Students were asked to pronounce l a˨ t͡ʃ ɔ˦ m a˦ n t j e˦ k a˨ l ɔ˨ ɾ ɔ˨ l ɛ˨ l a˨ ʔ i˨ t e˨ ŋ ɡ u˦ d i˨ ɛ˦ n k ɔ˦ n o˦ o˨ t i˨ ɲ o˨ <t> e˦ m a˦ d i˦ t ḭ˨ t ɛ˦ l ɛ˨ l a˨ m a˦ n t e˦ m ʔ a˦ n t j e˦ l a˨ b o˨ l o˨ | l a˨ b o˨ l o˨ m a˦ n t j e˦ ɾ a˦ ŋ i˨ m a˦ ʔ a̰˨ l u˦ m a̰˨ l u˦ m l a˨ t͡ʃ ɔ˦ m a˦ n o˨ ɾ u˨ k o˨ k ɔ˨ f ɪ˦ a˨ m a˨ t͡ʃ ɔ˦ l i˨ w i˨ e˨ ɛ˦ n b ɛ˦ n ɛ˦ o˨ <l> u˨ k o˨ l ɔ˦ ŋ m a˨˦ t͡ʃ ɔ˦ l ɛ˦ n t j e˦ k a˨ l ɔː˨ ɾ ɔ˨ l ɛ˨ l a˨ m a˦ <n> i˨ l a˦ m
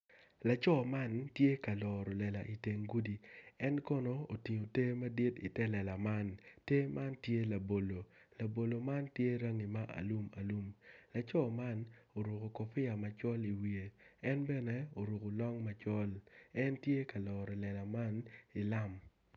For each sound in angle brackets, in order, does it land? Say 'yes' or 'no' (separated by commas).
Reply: yes, no, yes